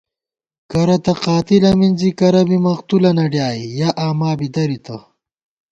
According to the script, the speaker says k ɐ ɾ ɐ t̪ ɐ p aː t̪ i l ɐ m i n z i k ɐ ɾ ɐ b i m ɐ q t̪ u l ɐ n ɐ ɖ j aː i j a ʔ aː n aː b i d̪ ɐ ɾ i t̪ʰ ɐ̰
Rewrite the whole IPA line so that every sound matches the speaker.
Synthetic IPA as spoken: k ɐ ɾ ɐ t̪ ɐ q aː t̪ i l ɐ m i n z i k ɐ ɾ ɐ b i m ɐ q t̪ u l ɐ n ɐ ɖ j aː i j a ʔ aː m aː b i d̪ ɐ ɾ i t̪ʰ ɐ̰